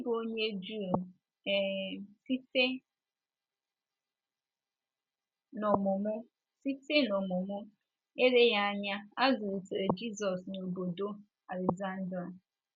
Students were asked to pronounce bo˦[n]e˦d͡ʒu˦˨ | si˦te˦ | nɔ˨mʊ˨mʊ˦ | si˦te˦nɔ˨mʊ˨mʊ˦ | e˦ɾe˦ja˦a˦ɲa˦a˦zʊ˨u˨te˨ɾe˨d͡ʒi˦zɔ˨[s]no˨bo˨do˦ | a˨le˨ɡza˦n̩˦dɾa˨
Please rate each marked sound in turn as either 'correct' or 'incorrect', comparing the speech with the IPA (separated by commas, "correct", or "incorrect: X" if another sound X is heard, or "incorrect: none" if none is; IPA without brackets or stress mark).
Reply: incorrect: ɲ, correct